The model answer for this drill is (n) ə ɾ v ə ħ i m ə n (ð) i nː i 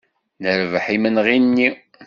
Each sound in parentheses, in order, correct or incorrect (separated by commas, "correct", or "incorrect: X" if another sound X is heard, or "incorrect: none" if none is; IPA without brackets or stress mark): correct, incorrect: ʁ